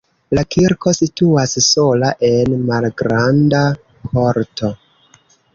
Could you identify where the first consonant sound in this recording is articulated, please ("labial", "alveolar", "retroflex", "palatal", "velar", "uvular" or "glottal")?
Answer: alveolar